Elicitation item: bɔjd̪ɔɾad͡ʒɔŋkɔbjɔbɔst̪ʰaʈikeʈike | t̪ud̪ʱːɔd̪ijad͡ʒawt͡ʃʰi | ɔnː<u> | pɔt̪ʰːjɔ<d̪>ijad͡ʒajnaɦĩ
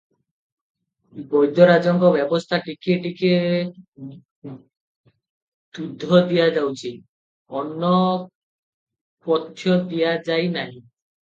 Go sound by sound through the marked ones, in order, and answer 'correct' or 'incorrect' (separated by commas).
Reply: incorrect, correct